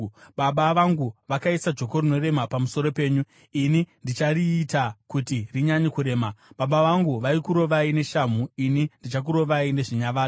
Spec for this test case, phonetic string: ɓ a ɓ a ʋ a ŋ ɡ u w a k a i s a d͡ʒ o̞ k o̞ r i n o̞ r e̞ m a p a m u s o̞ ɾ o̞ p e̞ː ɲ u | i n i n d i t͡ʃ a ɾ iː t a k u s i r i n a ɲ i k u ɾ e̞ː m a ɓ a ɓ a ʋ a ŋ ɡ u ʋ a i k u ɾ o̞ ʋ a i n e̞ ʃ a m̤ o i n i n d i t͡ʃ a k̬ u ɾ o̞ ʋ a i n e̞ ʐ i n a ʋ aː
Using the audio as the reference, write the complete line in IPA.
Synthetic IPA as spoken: ɓ a ɓ a ʋ a ŋ ɡ u ʋ a k a i s a d͡ʒ o̞ k o̞ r i n o̞ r e̞ m a p a m u s o̞ ɾ o̞ p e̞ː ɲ u | i n i n d i t͡ʃ a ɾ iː t a k u t i r i ɲ a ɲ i k u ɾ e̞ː m a ɓ a ɓ a ʋ a ŋ ɡ u ʋ a i k u ɾ o̞ ʋ a i n e̞ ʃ a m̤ u i n i n d i t͡ʃ a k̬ u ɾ o̞ ʋ a i n e̞ ʐ i ɲ a ʋ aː